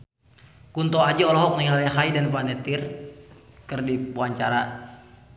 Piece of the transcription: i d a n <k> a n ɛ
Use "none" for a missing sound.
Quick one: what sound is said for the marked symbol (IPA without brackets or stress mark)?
p